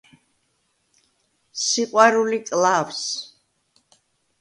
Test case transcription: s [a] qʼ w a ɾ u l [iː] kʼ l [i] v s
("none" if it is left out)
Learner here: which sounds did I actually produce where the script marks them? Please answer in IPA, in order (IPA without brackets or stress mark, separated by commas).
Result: i, i, a